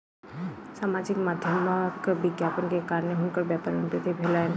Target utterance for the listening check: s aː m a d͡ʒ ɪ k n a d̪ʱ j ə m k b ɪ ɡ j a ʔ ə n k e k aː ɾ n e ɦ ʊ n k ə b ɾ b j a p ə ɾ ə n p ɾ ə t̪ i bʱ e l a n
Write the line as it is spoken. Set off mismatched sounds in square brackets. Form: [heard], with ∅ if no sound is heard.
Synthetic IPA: s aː m a d͡ʒ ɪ k [m] a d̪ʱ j ə m k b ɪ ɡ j a [p] ə n k e k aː ɾ n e ɦ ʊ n k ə [∅] ɾ b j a p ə ɾ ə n p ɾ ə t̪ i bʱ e l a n